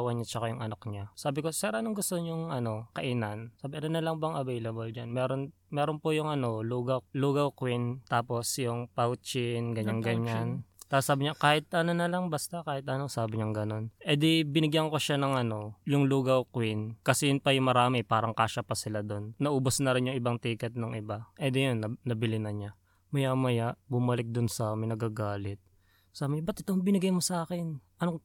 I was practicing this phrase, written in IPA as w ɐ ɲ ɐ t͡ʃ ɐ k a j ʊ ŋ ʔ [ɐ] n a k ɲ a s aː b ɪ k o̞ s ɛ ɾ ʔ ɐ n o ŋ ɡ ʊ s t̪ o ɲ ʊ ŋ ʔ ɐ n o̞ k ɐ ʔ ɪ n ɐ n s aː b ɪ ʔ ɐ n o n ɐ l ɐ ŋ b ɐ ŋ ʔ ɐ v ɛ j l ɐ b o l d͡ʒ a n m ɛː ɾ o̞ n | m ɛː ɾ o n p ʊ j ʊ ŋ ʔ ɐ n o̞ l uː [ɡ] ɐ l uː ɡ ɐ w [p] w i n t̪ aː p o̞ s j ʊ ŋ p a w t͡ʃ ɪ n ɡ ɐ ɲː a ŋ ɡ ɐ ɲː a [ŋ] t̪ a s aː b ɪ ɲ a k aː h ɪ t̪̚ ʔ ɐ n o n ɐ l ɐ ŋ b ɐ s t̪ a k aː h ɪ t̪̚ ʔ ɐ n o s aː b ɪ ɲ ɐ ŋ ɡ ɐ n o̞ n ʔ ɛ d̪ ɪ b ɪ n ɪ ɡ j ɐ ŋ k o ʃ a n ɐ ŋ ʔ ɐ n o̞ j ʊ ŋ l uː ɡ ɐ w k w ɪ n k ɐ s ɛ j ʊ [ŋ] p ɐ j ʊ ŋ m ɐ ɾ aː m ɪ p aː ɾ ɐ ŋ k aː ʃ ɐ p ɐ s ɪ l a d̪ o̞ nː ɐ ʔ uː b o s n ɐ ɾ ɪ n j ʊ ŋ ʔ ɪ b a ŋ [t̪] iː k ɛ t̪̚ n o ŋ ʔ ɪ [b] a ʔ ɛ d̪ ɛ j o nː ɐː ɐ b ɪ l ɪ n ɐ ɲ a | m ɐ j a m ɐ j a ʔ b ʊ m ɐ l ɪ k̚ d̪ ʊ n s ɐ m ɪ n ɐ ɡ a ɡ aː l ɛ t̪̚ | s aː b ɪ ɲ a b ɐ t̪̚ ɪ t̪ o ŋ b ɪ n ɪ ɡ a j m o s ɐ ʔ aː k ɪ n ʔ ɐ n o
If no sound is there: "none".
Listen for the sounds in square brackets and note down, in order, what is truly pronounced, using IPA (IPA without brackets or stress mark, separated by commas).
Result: ɐ, ɡ, k, n, n, t̪, b